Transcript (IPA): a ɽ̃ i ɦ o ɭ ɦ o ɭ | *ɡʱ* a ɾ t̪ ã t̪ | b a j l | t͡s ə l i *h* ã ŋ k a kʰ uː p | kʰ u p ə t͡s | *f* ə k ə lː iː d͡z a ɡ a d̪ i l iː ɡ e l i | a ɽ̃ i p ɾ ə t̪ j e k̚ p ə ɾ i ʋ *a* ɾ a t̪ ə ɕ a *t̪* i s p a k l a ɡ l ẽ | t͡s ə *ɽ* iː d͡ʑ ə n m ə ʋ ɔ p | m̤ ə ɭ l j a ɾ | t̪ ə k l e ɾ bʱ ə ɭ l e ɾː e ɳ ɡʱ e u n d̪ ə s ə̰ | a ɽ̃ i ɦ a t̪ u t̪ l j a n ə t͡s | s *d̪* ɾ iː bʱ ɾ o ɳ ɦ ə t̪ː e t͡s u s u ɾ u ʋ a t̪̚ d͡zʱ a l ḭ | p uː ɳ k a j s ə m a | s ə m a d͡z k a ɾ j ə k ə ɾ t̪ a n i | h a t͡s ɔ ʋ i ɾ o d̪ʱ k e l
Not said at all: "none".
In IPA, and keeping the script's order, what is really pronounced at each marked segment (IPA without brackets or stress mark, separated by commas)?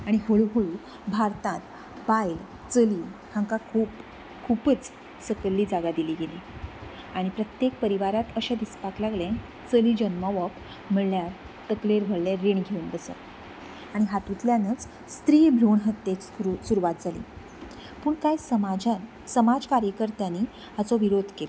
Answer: bʱ, h, s, a, d̪, l, t̪